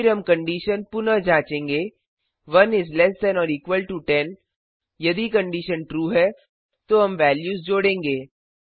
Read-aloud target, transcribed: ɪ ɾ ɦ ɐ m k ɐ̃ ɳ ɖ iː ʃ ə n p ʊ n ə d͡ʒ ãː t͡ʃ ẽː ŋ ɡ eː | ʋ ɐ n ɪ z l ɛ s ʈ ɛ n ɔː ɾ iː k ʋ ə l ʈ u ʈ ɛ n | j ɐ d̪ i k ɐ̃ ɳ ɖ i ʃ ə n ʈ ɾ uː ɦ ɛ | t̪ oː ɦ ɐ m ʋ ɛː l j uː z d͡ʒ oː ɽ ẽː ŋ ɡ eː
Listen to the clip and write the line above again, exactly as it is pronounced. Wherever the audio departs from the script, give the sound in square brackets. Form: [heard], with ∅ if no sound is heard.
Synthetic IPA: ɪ ɾ ɦ ɐ m k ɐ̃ ɳ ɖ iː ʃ ə n p ʊ n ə d͡ʒ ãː t͡ʃ ẽː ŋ ɡ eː | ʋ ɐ n ɪ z l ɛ s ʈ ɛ n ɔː ɾ iː k ʋ ə l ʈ u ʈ ɛ n | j ɐ d̪ i k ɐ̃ ɳ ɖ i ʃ ə n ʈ ɾ uː ɦ ɛ | t̪ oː ɦ ɐ m ʋ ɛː l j uː z d͡ʒ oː ɽ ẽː ŋ ɡ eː